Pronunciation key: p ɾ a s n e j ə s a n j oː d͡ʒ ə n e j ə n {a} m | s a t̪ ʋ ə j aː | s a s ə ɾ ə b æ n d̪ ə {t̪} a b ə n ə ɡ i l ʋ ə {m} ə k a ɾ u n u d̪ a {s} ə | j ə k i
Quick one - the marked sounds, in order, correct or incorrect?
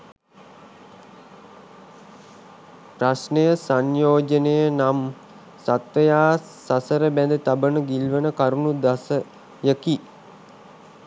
correct, correct, incorrect, correct

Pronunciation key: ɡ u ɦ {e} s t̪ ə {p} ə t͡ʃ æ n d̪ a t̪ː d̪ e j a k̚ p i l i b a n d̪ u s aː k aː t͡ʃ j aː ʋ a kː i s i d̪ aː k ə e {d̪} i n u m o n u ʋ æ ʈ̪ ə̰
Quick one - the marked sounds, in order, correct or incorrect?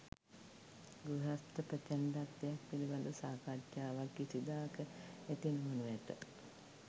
incorrect, correct, incorrect

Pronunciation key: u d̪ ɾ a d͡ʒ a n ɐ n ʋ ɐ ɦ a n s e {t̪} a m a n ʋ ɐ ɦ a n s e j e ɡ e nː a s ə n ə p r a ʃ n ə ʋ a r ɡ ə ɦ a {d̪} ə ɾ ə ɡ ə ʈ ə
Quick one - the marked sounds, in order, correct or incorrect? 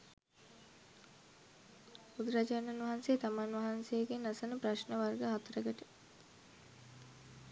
correct, incorrect

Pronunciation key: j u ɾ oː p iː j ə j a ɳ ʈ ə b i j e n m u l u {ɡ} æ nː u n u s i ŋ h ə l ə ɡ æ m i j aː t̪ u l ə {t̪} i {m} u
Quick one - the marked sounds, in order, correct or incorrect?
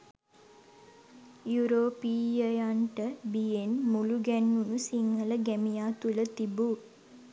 correct, correct, incorrect

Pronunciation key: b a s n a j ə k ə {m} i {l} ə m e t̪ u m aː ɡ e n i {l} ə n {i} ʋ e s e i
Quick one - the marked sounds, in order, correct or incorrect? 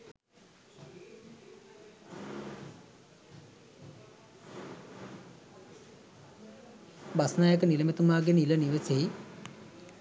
incorrect, correct, correct, correct

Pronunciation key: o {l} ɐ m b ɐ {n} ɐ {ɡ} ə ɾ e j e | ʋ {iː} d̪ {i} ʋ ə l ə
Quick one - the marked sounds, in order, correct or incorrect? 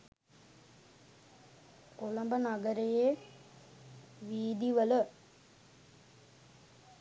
correct, correct, correct, correct, correct

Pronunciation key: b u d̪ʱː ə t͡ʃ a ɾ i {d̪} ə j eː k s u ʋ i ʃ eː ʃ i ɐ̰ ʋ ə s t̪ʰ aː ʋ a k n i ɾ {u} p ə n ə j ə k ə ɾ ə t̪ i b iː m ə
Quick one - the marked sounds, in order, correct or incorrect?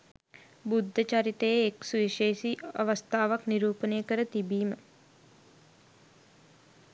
incorrect, incorrect

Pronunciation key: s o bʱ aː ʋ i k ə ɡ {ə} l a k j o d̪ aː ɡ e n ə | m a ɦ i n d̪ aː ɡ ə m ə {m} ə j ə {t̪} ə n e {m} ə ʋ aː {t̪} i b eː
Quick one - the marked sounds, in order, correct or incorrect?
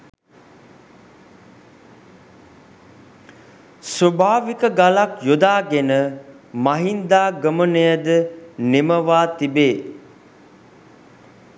incorrect, incorrect, incorrect, correct, correct

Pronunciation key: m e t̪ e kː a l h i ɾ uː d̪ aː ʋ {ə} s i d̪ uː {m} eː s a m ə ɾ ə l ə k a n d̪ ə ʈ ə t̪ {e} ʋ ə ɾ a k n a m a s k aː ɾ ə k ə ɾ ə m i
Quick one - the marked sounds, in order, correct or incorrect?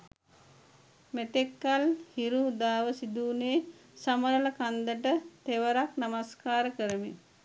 correct, incorrect, correct

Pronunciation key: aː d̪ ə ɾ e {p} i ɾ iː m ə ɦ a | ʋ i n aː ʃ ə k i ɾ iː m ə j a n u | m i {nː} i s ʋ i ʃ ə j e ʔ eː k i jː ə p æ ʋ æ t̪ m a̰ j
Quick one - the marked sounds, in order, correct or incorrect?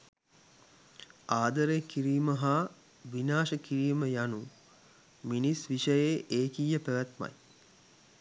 incorrect, incorrect

